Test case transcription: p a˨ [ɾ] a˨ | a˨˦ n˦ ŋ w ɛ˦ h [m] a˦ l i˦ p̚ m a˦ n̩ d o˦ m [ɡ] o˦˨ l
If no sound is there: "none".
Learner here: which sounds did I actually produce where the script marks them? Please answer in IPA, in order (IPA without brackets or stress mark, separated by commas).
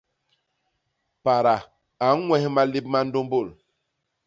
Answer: ɾ, m, b